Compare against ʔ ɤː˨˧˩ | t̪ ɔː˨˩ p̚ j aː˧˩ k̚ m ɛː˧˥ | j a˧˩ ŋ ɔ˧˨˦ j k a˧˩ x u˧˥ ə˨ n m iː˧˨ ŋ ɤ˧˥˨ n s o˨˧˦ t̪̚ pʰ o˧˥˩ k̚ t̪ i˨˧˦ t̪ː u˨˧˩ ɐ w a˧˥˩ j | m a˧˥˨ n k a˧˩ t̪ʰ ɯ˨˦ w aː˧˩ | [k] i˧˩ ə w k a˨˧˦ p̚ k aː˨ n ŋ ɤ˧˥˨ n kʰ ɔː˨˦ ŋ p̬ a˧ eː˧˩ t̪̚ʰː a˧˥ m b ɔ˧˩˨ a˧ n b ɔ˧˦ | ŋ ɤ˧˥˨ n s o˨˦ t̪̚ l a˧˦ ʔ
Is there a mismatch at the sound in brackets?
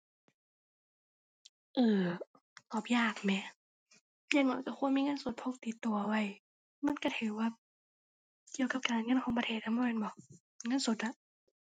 no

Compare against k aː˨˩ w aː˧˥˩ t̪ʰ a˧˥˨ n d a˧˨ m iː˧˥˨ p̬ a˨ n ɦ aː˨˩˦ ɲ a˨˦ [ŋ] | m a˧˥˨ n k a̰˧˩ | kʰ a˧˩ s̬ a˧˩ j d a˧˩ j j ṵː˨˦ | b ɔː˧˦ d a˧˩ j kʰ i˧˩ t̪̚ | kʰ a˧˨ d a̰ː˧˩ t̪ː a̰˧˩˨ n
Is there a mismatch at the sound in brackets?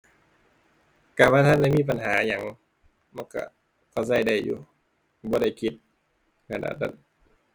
no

